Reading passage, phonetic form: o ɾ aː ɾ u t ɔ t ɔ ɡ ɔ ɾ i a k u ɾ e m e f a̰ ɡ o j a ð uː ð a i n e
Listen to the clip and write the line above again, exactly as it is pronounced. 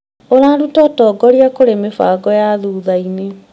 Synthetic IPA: o ɾ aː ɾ u t ɔ t ɔ ɡ ɔ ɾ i a k o ɾ e m e f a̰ ɡ ɔ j a ð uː ð a i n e